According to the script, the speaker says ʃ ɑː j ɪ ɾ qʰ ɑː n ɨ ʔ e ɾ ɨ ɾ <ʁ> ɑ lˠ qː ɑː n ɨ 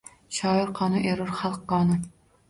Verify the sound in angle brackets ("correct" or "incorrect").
incorrect